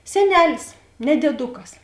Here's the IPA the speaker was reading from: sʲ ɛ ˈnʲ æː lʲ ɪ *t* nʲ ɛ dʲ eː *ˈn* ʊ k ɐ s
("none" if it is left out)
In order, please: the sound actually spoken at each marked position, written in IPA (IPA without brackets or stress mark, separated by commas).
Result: s, d